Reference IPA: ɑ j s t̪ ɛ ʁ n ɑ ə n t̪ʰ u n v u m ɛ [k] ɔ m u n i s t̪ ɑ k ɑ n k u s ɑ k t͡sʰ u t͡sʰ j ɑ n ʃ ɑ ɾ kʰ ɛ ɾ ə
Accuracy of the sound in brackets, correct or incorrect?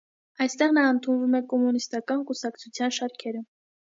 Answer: correct